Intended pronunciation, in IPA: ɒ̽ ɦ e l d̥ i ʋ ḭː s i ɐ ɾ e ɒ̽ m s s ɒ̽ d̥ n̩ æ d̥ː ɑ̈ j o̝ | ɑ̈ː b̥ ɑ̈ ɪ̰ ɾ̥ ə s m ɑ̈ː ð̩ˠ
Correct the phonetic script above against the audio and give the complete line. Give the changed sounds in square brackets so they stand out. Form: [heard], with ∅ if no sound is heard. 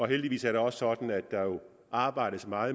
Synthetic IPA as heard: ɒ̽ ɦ e l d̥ i ʋ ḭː s [æ] ɐ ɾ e ɒ̽ [∅] s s ɒ̽ d̥ n̩ æ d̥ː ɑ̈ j o̝ | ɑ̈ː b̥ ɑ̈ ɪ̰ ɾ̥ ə s m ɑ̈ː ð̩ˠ